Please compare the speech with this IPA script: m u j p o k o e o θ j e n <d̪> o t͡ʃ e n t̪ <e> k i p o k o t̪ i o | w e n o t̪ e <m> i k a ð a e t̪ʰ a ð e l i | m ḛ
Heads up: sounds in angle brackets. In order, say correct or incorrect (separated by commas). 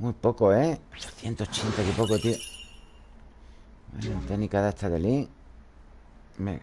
incorrect, incorrect, incorrect